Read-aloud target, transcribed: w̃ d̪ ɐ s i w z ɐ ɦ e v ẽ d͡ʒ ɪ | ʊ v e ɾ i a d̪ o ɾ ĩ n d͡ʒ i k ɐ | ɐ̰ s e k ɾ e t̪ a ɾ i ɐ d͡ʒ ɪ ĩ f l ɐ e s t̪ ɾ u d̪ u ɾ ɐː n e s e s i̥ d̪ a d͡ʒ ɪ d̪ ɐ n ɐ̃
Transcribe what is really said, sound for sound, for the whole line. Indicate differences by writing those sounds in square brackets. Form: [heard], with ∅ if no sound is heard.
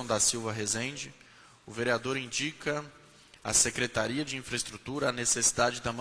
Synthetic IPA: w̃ d̪ ɐ s i w [v] ɐ ɦ e [z] ẽ d͡ʒ ɪ | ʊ v e ɾ i a d̪ o ɾ ĩ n d͡ʒ i k ɐ | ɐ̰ s e k ɾ e t̪ a ɾ i ɐ d͡ʒ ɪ ĩ f [ɾ] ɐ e s t̪ ɾ u [t̪] u ɾ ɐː n e s e s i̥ d̪ a d͡ʒ ɪ d̪ ɐ [m] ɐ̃